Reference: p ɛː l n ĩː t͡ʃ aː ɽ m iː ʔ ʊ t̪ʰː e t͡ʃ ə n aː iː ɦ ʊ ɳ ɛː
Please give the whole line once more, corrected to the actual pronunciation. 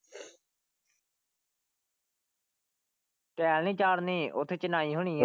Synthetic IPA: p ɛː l n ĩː t͡ʃ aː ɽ n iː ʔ ʊ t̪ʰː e t͡ʃ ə n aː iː ɦ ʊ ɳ iː